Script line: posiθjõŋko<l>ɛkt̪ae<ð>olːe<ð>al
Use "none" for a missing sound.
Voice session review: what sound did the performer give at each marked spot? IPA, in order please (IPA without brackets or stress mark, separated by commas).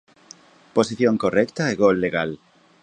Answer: r, ɣ, ɣ